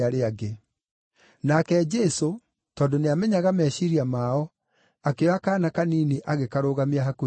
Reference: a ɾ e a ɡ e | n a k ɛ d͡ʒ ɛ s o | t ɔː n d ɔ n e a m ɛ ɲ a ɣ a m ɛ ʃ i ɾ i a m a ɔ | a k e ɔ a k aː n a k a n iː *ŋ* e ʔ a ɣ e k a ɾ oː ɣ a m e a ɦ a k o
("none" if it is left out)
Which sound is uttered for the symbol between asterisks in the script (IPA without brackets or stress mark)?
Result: n